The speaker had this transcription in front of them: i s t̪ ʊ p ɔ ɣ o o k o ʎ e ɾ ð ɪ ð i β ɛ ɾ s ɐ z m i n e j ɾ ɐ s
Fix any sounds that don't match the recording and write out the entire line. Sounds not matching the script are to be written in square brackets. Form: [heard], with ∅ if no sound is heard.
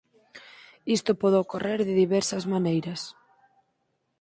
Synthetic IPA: i s t̪ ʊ p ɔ [ð] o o k o [r] e ɾ ð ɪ ð i β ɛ ɾ s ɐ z m [a] n e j ɾ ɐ s

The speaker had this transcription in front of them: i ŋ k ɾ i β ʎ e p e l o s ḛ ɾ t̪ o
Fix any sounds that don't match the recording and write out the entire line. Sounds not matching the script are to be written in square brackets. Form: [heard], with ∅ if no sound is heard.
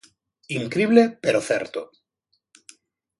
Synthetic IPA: i ŋ k ɾ i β [l] e p e [ɾ] o [θ] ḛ ɾ t̪ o

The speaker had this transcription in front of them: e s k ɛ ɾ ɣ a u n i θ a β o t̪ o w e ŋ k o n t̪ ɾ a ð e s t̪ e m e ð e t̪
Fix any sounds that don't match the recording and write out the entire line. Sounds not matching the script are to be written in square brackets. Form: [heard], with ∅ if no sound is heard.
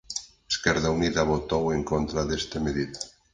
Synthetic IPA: e s k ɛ ɾ [ð] a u n i [ð] a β o t̪ o w e ŋ k o n t̪ ɾ a ð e s t̪ e m e ð [i] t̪

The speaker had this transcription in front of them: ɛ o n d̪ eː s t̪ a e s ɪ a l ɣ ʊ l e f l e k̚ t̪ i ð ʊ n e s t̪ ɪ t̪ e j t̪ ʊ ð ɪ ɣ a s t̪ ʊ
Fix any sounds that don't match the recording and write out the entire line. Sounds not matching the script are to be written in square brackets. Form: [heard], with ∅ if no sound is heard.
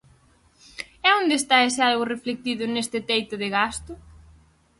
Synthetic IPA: ɛ o n d̪ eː s t̪ a e s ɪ a l ɣ ʊ [r] e f l e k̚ t̪ i ð ʊ n e s t̪ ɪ t̪ e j t̪ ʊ ð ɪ ɣ a s t̪ ʊ

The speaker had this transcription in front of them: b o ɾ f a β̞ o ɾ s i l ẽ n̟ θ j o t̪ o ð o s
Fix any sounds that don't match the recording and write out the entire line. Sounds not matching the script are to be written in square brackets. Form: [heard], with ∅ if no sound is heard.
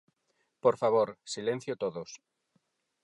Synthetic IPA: [p] o ɾ f a β̞ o ɾ s i l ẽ n̟ θ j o t̪ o ð o s

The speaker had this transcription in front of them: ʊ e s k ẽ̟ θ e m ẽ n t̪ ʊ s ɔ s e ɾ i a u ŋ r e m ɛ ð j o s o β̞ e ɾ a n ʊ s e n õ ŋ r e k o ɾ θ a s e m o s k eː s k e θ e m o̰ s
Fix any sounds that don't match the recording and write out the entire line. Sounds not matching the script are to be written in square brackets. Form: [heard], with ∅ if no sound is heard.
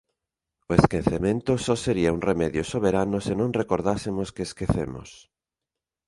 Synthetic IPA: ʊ e s k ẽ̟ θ e m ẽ n t̪ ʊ s ɔ s e ɾ i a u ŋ r e m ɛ ð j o s o β̞ e ɾ a n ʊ s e n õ ŋ r e k o ɾ [ð] a s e m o s k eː s k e θ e m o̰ s

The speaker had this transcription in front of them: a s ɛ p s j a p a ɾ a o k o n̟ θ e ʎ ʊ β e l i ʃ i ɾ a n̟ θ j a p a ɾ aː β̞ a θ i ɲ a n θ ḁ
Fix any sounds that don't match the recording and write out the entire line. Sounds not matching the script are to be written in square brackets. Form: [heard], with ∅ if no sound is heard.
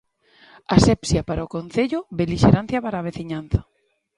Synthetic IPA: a s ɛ p s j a p a ɾ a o k o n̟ θ e ʎ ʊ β e l i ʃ [e] ɾ a n̟ θ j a p a ɾ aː β̞ [e] θ i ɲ a n θ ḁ

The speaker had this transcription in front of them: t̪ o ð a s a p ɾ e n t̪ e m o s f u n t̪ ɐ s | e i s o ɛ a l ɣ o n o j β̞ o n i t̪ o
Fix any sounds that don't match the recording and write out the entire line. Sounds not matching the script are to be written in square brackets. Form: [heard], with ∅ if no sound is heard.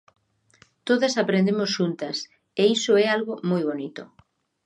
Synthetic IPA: t̪ o ð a s a p ɾ e n [d̪] e m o s [ʃ] u n t̪ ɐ s | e i s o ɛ a l ɣ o [m] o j β̞ o n i t̪ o

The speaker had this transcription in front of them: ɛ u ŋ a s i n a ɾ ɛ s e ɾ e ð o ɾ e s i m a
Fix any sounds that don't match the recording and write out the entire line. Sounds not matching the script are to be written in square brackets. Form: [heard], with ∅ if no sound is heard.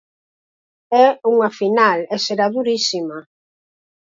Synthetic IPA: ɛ u ŋ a [f] i n a [l] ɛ s e ɾ [a] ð [u] ɾ [i] s i m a

